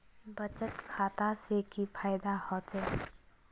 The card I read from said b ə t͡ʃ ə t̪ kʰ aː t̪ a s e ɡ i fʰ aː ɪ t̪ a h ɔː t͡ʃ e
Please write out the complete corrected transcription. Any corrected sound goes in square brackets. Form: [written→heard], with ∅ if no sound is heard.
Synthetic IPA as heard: b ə t͡ʃ ə t̪ kʰ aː t̪ a s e [ɡ→k] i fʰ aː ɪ [t̪→d̪] a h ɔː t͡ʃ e